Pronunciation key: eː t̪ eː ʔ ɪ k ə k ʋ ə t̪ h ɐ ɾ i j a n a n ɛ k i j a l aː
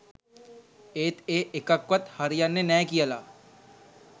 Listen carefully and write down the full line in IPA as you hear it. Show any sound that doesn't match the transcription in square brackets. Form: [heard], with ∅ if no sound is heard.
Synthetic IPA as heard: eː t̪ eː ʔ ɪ k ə k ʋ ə t̪ h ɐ ɾ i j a n [e] n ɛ k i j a l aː